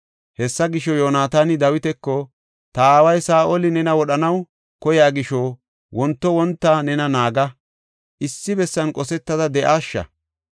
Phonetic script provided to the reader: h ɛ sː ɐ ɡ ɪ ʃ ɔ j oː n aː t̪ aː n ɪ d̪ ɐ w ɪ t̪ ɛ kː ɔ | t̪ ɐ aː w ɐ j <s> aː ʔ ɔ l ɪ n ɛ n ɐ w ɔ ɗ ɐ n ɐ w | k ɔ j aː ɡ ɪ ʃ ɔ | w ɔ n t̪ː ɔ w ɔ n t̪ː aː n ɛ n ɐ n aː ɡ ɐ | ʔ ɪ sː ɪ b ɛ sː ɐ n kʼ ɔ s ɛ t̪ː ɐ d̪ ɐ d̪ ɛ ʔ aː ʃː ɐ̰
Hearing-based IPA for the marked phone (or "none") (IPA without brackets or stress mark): s